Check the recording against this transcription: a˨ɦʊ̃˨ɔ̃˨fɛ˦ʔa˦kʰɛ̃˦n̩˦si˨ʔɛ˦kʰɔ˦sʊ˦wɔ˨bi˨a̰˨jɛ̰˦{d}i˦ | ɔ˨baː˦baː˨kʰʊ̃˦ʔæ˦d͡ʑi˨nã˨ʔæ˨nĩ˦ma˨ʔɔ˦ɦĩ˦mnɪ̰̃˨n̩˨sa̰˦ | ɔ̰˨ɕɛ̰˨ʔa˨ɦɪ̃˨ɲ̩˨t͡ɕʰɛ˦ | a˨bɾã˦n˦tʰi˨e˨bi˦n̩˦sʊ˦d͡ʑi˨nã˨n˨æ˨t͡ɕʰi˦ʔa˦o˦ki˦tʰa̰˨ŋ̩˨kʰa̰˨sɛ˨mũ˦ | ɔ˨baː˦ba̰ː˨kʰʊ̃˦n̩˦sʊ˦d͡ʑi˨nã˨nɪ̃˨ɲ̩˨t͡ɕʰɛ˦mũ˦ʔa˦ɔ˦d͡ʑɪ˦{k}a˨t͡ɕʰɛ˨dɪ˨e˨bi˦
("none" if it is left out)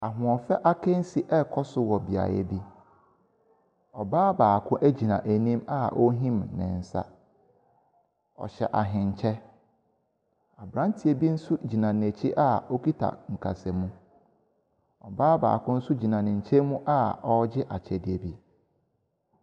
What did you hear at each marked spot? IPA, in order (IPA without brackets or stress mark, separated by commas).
b, ʔ